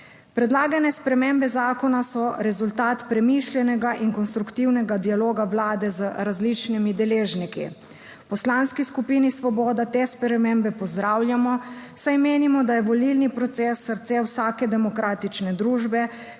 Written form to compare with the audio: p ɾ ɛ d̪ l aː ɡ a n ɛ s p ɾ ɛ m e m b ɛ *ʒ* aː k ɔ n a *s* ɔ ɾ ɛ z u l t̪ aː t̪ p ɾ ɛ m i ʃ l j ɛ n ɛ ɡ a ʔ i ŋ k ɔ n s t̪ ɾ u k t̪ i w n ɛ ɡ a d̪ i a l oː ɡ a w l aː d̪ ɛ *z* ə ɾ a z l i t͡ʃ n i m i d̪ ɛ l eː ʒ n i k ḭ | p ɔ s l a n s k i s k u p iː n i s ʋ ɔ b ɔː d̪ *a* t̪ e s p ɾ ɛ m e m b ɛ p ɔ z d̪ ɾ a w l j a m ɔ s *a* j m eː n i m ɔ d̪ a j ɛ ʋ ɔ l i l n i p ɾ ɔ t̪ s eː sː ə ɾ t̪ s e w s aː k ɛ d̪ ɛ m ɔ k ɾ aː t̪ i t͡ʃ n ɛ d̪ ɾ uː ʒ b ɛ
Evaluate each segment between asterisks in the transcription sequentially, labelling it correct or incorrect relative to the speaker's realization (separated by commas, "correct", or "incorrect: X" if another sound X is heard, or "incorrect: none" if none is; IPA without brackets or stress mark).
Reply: incorrect: z, correct, correct, correct, correct